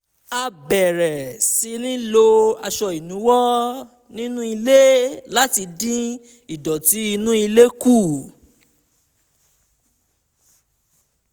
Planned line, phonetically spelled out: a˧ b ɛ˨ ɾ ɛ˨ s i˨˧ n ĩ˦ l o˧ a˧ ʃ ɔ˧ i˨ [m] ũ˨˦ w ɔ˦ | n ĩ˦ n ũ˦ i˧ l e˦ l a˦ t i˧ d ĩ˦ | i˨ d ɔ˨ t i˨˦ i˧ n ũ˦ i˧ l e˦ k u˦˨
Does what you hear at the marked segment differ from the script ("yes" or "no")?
yes